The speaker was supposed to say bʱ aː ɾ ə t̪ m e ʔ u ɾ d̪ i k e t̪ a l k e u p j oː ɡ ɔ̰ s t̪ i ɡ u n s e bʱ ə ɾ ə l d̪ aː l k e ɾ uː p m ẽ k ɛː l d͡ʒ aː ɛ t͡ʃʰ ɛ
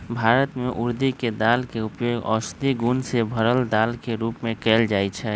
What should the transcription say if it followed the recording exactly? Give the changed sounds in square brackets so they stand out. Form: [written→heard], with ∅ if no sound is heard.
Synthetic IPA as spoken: bʱ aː ɾ ə t̪ m e ʔ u ɾ d̪ i k e [t̪→d̪] a l k e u p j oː ɡ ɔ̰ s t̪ i ɡ u n s e bʱ ə ɾ ə l d̪ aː l k e ɾ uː p m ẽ k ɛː l d͡ʒ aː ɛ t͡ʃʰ ɛ